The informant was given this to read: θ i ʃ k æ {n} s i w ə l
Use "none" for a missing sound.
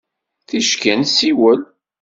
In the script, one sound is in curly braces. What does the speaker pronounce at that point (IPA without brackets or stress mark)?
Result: n